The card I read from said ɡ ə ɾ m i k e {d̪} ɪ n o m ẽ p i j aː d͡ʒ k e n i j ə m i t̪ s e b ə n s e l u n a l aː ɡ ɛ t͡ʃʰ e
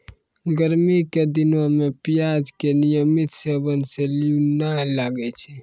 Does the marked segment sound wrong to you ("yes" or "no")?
no